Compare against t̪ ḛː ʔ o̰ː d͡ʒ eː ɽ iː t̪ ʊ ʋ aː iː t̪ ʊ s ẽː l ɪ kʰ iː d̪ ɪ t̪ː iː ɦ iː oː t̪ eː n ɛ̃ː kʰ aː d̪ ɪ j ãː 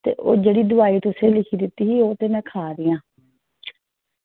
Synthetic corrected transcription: t̪ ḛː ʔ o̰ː d͡ʒ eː ɽ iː d̪ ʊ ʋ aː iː t̪ ʊ s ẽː l ɪ kʰ iː d̪ ɪ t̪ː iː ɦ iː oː t̪ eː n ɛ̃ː kʰ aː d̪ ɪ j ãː